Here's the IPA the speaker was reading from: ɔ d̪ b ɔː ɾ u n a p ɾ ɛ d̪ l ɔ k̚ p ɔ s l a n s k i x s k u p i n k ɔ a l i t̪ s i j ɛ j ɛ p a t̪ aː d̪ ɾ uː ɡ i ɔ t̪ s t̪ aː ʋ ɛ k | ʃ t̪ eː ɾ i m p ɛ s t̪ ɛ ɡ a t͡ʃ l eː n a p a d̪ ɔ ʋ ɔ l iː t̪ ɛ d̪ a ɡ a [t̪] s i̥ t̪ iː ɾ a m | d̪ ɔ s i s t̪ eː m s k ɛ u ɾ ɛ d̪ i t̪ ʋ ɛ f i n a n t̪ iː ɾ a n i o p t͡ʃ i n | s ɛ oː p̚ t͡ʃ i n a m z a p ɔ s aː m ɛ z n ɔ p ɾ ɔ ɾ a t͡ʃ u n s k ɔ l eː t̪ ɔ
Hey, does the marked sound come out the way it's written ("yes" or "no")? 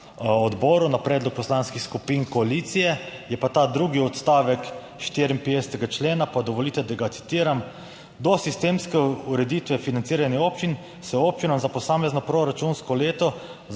yes